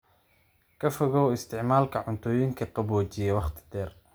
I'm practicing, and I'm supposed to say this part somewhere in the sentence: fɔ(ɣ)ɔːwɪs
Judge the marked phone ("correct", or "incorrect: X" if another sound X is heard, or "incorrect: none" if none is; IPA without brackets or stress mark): correct